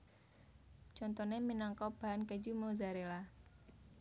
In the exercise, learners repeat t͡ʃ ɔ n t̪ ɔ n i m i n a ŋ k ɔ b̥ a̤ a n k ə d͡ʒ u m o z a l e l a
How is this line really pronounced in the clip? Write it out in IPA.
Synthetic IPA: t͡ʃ ɔ n t̪ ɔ n e m i n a ŋ k ɔ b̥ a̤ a n k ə d͡ʒ u m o z a ɾ e l a